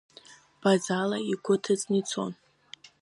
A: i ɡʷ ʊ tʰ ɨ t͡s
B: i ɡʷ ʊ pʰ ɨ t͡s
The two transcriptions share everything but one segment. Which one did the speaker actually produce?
A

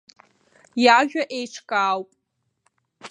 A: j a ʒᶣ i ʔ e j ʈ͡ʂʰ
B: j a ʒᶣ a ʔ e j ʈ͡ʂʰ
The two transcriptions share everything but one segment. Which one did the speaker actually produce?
B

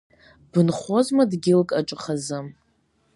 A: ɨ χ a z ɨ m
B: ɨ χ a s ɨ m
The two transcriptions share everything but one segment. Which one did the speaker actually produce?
A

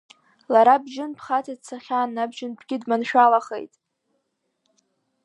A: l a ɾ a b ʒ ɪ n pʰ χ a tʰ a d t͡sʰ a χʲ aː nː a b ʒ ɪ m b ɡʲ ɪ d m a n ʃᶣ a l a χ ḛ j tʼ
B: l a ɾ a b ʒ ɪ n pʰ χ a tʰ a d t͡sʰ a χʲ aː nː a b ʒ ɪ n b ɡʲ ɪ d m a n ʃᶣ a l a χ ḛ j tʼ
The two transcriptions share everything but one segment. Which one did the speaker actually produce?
B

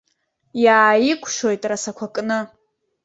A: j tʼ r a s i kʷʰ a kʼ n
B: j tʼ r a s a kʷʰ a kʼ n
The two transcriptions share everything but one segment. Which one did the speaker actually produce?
B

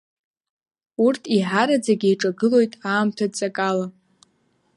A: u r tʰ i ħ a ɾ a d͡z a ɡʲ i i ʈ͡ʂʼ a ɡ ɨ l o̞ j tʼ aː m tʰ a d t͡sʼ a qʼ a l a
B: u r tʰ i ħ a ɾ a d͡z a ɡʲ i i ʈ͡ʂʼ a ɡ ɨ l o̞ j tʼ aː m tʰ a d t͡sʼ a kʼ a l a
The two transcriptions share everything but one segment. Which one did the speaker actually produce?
B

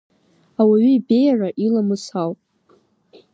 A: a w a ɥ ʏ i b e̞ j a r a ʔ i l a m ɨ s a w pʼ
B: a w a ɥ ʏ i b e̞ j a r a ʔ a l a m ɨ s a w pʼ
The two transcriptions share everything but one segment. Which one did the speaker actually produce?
A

